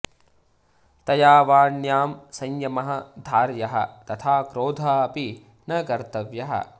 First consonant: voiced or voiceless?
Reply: voiceless